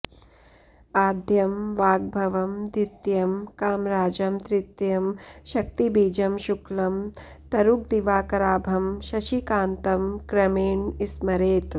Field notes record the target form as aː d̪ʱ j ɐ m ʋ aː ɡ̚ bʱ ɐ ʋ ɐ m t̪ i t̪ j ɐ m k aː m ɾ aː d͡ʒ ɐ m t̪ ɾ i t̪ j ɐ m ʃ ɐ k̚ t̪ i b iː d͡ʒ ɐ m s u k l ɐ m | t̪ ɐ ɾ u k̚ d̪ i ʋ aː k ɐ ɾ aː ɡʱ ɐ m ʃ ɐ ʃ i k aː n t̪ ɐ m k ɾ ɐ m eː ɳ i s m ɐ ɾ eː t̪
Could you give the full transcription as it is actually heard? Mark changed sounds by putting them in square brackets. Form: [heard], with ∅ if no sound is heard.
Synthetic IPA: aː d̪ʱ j ɐ m ʋ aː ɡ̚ bʱ ɐ ʋ ɐ m [d̪] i t̪ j ɐ m k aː m ɾ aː d͡ʒ ɐ m t̪ ɾ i t̪ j ɐ m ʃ ɐ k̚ t̪ i b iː d͡ʒ ɐ m [ʃ] u k l ɐ m | t̪ ɐ ɾ u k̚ d̪ i ʋ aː k ɐ ɾ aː [bʱ] ɐ m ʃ ɐ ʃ i k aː n t̪ ɐ m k ɾ ɐ m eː ɳ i s m ɐ ɾ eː t̪